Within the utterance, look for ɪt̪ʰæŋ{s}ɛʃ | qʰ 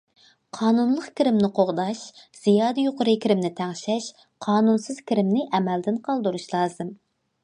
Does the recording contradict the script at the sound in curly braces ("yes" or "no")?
yes